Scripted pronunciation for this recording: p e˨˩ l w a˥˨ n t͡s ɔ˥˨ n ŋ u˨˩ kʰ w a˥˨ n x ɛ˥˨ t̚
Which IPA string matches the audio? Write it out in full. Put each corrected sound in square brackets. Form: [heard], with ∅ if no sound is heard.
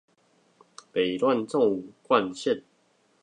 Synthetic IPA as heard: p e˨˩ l w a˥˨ n t͡s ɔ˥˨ [∅] ŋ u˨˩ [k] w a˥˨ n [ɕ] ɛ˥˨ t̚